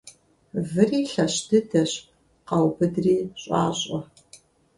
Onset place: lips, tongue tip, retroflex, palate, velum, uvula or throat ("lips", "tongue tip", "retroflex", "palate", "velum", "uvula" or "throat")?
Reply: lips